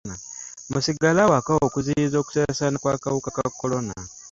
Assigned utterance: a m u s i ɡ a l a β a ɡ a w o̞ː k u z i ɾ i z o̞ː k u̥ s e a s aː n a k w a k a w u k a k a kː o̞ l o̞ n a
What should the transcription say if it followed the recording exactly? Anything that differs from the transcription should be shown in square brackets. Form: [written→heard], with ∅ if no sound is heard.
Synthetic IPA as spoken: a m u s i ɡ a l a [β→w] a [ɡ→k] a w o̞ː k u z i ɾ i z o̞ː k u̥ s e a s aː n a k w a k a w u k a k a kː o̞ l o̞ n a